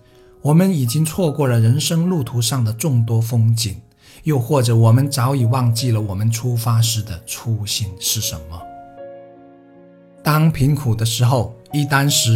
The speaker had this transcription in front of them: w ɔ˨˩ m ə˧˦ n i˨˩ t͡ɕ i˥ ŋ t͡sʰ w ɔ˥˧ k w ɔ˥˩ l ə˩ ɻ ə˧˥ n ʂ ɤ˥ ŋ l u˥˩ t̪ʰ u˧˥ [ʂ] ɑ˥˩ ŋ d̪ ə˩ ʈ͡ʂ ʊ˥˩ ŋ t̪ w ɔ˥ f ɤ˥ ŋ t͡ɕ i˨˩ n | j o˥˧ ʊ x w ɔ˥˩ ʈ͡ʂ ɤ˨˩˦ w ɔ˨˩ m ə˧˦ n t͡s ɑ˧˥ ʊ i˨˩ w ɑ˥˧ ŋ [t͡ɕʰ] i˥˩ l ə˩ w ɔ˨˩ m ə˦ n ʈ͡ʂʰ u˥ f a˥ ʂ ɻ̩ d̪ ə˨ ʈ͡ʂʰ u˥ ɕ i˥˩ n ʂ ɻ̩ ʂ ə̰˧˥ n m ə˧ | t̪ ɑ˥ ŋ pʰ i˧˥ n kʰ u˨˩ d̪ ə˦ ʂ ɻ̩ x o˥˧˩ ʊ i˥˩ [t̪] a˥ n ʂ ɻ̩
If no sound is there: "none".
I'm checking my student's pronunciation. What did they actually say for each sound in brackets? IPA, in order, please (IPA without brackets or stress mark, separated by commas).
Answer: ʂ, t͡ɕ, t̪